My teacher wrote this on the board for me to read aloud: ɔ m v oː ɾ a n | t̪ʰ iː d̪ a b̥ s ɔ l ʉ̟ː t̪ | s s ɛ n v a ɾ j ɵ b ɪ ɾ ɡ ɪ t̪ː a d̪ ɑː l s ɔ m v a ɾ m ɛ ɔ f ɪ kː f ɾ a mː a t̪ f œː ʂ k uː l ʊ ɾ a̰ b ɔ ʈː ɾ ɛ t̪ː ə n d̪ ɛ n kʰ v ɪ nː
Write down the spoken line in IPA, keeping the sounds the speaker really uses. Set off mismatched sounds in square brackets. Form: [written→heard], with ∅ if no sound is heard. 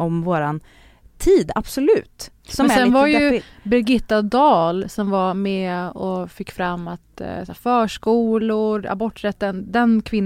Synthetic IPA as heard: ɔ m v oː ɾ a n | t̪ʰ iː d̪ a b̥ s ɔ l ʉ̟ː t̪ | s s ɛ n v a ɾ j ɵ b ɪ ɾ ɡ ɪ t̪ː a d̪ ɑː l s ɔ m v a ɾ m ɛ ɔ f ɪ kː f ɾ a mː a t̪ f œː ʂ k uː l ʊ ɾ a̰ b ɔ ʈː ɾ ɛ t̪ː ə n d̪ ɛ n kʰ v ɪ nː